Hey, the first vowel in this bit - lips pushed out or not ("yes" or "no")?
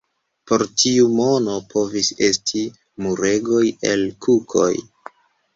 yes